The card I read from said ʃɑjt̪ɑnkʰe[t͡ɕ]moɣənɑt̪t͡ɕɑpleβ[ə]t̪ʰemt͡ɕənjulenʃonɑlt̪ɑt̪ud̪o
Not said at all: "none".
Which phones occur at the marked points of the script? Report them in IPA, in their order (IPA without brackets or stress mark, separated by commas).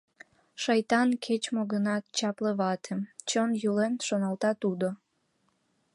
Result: t͡ɕ, ɑ